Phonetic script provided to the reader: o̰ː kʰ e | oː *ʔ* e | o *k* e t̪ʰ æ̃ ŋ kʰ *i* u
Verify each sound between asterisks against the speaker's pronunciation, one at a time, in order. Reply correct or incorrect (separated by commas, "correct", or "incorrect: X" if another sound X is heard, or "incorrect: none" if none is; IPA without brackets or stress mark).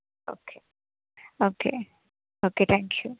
incorrect: k, correct, incorrect: j